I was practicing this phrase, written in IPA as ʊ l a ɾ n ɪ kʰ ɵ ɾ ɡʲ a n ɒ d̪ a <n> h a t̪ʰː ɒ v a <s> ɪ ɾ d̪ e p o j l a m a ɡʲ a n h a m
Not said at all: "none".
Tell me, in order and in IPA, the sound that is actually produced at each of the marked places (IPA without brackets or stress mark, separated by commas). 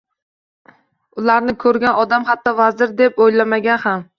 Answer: m, z